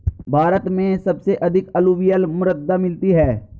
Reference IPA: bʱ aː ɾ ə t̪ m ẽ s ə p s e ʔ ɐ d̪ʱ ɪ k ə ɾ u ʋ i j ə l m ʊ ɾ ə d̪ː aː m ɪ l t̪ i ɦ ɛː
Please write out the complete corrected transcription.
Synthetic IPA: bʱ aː ɾ ə t̪ m ẽ s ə b s e ʔ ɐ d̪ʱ ɪ k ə l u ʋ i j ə l m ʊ ɾ ə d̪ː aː m ɪ l t̪ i ɦ ɛː